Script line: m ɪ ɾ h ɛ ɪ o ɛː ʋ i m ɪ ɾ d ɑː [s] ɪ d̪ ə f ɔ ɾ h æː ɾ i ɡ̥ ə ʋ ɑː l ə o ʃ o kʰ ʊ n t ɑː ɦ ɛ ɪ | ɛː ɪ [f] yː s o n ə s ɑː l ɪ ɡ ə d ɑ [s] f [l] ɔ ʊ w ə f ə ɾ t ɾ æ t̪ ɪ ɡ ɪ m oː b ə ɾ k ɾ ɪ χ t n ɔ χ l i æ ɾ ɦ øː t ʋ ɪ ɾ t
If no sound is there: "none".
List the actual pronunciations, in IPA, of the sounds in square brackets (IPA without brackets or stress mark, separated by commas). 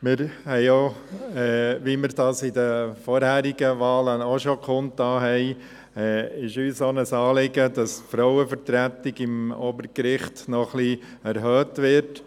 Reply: s, ʃ, s, ɾ